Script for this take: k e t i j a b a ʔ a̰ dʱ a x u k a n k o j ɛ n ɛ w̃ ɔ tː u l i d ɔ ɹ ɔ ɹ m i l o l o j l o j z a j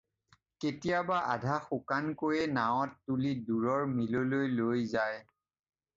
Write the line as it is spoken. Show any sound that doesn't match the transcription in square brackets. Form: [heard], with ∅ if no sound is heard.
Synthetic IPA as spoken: k e t i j a b a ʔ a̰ dʱ a x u k a n k o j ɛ n [a] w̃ ɔ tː u l i d [u] ɹ ɔ ɹ m i l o l o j l o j z a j